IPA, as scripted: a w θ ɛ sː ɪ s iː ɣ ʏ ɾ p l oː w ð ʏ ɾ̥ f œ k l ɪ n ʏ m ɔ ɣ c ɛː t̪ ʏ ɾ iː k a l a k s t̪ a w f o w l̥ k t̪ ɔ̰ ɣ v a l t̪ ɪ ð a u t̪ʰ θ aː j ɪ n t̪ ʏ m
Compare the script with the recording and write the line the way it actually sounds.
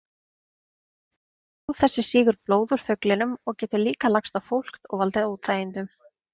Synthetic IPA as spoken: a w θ ɛ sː ɪ s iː ɣ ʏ ɾ p l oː w ð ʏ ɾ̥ f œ k l ɪ n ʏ m ɔ ɣ c ɛː t̪ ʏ l iː k a l a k s t̪ a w f o w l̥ k t̪ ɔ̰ ɣ v a l t̪ ɪ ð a u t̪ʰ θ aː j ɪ n t̪ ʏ m